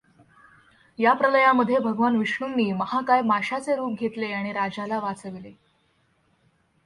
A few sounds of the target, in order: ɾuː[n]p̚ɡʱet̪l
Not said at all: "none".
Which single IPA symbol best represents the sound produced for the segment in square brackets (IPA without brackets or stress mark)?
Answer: none